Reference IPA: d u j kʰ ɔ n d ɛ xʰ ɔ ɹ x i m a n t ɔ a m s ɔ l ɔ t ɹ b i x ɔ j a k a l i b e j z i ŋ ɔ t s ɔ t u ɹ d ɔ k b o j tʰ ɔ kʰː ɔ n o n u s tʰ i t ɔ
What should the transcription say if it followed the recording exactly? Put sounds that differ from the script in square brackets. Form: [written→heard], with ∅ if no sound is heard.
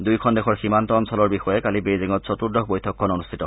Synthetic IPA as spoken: d u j kʰ ɔ n d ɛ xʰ ɔ ɹ x i m a n t ɔ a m s ɔ l ɔ [t→∅] ɹ b i x ɔ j [a→ɛ] k a l i b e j z i ŋ ɔ t s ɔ t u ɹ d ɔ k b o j tʰ ɔ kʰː ɔ n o n u s tʰ i t ɔ